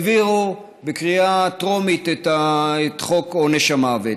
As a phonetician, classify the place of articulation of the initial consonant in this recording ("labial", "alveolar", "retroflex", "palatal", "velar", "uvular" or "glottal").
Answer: labial